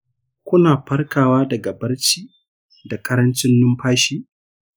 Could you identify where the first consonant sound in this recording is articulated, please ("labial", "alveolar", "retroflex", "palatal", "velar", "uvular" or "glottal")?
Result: velar